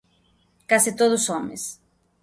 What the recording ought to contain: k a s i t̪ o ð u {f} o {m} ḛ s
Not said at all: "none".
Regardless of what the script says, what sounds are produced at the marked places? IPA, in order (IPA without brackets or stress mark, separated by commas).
s, m